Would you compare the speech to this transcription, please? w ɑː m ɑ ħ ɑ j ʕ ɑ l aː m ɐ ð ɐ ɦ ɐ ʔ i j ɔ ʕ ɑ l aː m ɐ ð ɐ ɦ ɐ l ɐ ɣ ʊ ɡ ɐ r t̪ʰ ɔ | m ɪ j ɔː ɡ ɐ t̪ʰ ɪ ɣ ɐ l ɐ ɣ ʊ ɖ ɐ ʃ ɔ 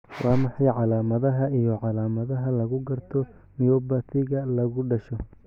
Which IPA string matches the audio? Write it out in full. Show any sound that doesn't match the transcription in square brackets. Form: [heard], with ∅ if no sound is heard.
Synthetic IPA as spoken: w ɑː m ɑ ħ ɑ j ʕ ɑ l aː m ɐ ð ɐ ɦ ɐ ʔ i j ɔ ʕ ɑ l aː m ɐ ð ɐ ɦ ɐ l ɐ ɣ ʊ ɡ ɐ r t̪ʰ ɔ | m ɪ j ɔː [b] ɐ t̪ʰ ɪ ɣ ɐ l ɐ ɣ ʊ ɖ ɐ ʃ ɔ